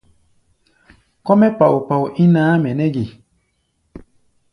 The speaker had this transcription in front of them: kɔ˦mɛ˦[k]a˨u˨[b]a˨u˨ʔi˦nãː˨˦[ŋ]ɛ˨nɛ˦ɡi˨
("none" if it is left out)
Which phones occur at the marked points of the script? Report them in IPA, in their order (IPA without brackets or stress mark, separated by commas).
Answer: p, p, m